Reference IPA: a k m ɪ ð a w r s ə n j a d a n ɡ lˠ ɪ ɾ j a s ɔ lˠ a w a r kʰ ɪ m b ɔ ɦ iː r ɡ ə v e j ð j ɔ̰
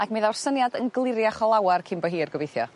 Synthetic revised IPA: a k m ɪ ð a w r s ə n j a d ə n ɡ lˠ ɪ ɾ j a χ ɔ lˠ a w a r kʰ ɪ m b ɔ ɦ iː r ɡ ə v e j θ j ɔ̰